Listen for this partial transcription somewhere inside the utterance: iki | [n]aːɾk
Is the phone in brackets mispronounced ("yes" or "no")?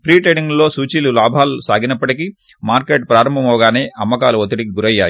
yes